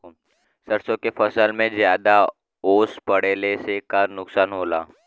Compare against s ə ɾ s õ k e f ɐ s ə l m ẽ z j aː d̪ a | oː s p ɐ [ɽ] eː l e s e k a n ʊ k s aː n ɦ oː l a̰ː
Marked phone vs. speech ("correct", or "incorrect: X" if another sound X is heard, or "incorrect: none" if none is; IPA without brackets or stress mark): correct